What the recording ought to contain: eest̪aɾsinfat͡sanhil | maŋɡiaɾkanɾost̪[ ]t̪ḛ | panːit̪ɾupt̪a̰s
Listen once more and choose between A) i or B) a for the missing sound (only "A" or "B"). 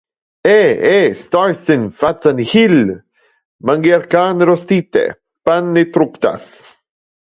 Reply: A